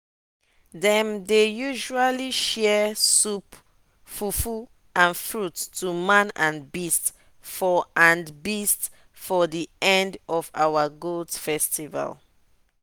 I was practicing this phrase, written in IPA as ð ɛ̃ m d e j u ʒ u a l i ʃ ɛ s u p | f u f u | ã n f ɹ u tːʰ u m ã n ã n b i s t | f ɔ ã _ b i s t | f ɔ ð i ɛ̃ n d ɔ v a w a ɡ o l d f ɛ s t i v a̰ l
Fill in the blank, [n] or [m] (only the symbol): n